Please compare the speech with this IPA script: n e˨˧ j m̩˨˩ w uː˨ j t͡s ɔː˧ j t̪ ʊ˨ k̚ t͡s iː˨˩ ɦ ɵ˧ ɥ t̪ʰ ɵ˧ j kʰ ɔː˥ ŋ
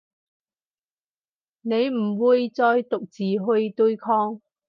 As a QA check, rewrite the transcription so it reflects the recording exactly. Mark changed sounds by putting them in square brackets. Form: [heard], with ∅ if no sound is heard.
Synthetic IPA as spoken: n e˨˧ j m̩˨˩ w uː˨ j t͡s ɔː˧ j t̪ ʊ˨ k̚ t͡s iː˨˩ ɦ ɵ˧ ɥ [t̪] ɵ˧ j kʰ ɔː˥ ŋ